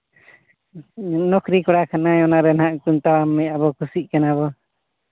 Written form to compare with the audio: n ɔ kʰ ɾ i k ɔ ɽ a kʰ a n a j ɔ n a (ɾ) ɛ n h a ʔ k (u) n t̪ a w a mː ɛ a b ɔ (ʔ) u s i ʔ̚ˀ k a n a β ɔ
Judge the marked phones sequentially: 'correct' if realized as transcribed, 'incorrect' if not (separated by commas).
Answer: correct, correct, incorrect